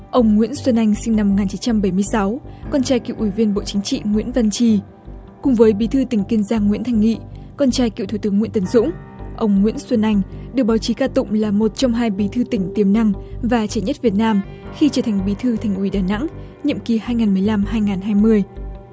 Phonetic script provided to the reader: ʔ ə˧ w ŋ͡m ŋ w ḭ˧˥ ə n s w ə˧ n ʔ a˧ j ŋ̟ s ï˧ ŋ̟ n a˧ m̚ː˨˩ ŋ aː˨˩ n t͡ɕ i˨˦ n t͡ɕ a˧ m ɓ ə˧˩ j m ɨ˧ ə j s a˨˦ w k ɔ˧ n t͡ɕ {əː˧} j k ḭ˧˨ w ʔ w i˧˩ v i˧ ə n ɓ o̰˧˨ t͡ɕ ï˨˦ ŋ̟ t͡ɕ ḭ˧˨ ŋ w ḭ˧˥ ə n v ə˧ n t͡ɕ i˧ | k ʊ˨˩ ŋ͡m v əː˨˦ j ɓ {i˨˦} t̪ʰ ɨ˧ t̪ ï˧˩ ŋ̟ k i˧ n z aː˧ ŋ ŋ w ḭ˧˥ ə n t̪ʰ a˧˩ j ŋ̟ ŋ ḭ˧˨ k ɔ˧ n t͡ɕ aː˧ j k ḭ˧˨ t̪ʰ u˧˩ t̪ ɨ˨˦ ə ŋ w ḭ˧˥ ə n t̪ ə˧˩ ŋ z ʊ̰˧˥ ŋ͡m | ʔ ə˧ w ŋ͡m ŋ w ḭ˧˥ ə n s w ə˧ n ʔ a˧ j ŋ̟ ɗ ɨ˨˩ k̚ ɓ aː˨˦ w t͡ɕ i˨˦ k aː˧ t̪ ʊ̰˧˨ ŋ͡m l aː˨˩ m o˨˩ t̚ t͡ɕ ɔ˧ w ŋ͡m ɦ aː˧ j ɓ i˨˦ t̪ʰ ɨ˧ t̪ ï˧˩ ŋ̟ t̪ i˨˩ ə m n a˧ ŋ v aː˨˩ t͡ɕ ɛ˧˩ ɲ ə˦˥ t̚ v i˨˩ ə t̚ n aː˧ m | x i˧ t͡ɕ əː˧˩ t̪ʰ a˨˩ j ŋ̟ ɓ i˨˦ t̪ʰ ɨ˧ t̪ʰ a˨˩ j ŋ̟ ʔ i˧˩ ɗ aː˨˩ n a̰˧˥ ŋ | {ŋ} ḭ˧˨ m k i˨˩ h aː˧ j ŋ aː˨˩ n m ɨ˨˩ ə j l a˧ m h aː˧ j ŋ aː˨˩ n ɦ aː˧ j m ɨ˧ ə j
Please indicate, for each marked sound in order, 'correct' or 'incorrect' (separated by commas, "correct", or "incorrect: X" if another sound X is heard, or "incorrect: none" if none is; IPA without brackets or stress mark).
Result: incorrect: aː˧, correct, incorrect: ɲ